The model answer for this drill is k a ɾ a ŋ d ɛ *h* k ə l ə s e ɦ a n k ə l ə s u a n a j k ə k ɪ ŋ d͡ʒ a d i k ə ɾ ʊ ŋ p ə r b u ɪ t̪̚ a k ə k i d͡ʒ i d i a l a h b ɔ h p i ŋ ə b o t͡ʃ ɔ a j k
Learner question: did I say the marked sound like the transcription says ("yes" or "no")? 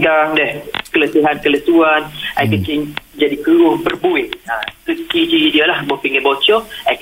yes